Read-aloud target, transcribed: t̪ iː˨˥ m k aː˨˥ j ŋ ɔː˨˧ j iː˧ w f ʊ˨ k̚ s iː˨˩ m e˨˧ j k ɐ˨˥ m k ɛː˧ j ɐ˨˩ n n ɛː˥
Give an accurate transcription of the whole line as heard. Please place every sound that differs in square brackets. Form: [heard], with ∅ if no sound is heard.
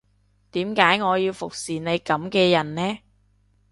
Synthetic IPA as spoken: t̪ iː˨˥ m k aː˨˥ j ŋ ɔː˨˧ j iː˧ w f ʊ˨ k̚ s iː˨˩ [n] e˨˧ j k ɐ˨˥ m k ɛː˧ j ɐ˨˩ n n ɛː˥